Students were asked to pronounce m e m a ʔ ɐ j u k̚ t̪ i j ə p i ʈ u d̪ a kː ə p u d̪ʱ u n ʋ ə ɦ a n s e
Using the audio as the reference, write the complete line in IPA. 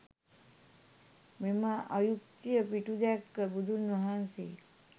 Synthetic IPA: m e m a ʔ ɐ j u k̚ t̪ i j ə p i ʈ u d̪ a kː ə b u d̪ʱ u n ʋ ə ɦ a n s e